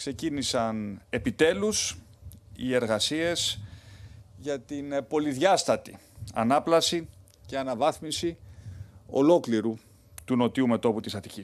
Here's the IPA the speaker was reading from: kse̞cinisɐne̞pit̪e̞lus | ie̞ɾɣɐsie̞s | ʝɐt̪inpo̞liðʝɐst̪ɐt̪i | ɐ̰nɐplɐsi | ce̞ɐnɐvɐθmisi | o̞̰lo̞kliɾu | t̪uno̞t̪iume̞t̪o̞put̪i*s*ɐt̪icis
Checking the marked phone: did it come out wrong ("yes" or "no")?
no